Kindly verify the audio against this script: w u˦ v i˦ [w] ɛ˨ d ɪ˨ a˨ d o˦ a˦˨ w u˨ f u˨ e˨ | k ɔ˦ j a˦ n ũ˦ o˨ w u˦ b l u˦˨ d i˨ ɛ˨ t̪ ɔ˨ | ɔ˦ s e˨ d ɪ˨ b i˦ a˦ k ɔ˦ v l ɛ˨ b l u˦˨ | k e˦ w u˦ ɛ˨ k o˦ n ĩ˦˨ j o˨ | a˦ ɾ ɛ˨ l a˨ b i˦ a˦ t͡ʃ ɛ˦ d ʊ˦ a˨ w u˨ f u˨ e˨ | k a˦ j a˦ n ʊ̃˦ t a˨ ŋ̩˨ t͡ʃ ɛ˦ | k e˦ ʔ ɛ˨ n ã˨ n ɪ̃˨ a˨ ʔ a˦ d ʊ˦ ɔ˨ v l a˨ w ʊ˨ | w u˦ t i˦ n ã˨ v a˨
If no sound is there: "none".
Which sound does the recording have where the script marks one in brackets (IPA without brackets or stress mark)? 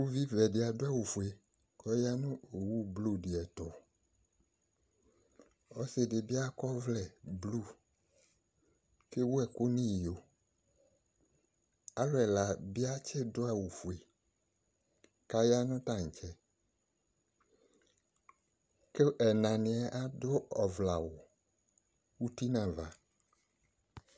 v